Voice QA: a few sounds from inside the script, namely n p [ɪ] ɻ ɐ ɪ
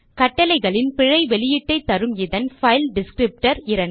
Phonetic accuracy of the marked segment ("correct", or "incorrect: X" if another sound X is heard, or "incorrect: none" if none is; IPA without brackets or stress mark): correct